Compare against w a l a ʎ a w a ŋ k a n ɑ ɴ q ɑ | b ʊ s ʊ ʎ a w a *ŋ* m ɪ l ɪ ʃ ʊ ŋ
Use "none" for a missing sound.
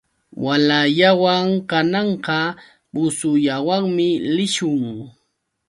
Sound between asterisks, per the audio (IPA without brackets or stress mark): ŋ